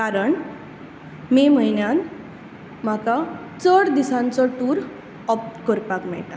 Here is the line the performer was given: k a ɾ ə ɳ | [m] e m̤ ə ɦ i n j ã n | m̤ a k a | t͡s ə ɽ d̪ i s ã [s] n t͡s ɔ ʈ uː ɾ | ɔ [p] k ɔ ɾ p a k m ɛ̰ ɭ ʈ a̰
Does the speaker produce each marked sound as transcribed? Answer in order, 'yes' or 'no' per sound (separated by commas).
yes, no, yes